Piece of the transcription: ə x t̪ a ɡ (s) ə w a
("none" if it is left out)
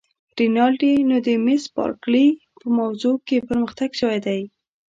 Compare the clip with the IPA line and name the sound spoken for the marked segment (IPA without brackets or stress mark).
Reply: ʃ